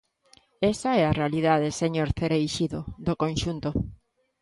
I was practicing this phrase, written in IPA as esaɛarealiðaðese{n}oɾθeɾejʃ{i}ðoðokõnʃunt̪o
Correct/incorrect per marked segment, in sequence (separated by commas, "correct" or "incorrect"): incorrect, correct